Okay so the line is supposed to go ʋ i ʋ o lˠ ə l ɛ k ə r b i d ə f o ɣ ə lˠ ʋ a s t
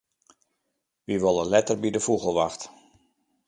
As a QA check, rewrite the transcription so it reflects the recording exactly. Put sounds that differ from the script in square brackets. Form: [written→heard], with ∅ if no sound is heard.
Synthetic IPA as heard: ʋ i ʋ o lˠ ə l ɛ [k→t] ə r b i d ə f [o→u] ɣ ə lˠ ʋ a [s→x] t

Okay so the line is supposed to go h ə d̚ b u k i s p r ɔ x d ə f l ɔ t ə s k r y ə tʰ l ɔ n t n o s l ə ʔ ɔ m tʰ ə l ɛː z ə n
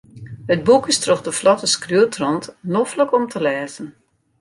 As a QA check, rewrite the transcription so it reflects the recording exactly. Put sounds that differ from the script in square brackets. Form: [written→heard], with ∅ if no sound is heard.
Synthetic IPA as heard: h ə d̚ b u k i s [p→t] r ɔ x d ə f l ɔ t ə s k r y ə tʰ [l→r] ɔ n t n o [s→f] l ə [ʔ→k] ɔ m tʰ ə l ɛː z ə n

